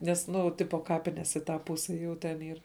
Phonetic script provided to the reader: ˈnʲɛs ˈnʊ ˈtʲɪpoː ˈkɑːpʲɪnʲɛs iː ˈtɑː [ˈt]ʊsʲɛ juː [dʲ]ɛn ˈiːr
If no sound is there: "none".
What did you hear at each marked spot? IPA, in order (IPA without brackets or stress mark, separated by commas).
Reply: p, tʲ